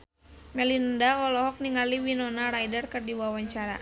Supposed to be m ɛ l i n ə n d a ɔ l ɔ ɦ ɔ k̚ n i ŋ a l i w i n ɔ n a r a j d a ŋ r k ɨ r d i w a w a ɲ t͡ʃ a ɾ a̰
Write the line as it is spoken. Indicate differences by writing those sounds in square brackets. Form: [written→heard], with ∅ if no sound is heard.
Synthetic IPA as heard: m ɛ l i n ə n d a ɔ l ɔ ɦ ɔ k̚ n i ŋ a l i w i n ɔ n a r a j d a [ŋ→∅] r k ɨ r d i w a w a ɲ t͡ʃ a ɾ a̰